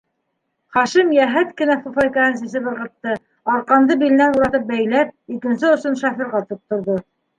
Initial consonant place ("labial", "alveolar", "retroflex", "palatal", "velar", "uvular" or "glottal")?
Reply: uvular